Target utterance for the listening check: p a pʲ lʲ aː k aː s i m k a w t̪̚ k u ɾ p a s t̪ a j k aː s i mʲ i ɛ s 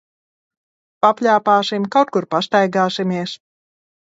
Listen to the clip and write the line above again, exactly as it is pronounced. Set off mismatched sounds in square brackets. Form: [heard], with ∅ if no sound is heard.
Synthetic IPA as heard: p a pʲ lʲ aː [p] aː s i m k a w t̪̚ k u ɾ p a s t̪ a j [ɡ] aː s i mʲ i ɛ s